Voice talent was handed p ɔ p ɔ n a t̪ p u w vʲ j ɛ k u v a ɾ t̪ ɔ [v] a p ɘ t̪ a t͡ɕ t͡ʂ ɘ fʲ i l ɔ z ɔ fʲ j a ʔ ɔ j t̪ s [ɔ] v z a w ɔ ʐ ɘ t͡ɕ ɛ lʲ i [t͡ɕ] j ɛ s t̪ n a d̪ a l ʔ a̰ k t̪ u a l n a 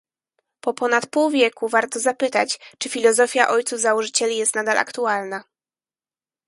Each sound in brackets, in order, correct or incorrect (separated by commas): incorrect, incorrect, incorrect